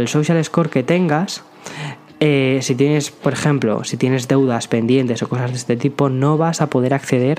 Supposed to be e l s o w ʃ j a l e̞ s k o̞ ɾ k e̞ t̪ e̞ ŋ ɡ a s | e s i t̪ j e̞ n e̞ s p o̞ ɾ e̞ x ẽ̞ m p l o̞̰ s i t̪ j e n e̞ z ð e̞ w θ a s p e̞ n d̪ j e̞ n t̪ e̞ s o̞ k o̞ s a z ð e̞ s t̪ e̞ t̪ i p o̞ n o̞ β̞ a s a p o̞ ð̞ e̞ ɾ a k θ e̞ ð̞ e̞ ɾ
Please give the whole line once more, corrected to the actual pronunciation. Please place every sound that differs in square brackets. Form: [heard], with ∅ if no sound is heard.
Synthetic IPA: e l s o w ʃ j a l e̞ s k o̞ ɾ k e̞ t̪ e̞ ŋ ɡ a s | e s i t̪ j e̞ n e̞ s p o̞ ɾ e̞ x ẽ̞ m p l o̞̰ s i t̪ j e n e̞ z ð e̞ w [ð] a s p e̞ n d̪ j e̞ n t̪ e̞ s o̞ k o̞ s a z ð e̞ s t̪ e̞ t̪ i p o̞ n o̞ β̞ a s a p o̞ ð̞ e̞ ɾ a k θ e̞ ð̞ e̞ ɾ